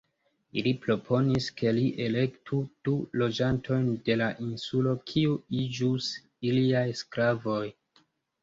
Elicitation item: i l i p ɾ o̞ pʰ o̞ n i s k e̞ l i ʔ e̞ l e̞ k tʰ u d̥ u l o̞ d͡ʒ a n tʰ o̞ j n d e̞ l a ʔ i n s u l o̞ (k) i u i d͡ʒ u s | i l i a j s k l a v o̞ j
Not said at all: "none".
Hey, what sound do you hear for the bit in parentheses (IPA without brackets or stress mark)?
kʰ